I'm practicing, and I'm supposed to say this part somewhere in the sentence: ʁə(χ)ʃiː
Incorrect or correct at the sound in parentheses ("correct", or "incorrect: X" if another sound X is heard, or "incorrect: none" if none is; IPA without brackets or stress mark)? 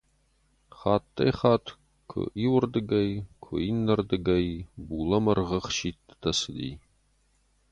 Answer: correct